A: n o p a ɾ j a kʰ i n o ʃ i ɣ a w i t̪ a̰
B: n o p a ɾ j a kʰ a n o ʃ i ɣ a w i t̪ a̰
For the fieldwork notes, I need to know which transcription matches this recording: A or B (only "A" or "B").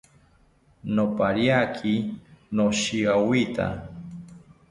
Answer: A